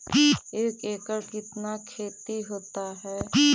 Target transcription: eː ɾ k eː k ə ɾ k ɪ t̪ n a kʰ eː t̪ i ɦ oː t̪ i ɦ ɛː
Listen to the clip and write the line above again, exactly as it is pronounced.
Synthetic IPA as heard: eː k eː k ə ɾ k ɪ t̪ n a kʰ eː t̪ i ɦ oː t̪ a ɦ ɛː